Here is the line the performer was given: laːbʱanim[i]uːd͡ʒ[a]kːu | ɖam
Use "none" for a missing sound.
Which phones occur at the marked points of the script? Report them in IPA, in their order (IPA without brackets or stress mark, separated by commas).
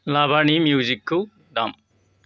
j, i